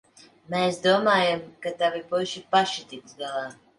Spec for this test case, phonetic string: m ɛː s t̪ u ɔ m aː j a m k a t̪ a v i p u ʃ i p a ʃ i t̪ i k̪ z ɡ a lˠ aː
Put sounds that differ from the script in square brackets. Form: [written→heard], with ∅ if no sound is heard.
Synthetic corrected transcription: m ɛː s [t̪→d̪] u ɔ m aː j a m k a t̪ a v i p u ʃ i p a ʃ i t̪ i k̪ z ɡ a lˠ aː